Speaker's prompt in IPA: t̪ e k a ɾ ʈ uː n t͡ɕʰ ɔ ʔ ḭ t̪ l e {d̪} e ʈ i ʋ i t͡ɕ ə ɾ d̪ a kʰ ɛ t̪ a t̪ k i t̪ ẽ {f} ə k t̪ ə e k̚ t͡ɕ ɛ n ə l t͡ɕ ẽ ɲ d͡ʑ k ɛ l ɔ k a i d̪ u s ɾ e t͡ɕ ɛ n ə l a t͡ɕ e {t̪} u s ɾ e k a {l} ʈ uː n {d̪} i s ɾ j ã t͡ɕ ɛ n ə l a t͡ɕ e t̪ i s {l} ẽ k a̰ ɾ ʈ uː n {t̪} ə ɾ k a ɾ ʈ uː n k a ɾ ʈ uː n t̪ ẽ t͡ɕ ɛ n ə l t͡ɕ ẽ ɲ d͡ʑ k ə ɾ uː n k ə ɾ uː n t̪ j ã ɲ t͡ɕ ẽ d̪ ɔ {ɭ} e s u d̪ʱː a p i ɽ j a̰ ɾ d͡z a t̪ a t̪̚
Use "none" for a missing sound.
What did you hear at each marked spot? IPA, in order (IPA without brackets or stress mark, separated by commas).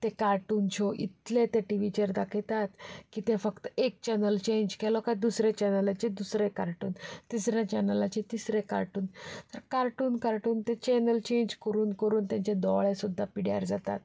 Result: t̪, f, d̪, ɾ, t̪, ɾ, t̪, ɭ